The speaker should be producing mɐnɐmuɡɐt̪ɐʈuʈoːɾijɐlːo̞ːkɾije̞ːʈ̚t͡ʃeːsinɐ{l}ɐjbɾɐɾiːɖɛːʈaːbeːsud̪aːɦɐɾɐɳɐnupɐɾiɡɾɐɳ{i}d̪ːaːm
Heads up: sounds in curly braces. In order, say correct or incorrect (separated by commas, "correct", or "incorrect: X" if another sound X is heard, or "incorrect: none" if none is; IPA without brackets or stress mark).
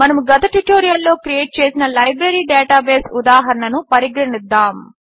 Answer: correct, correct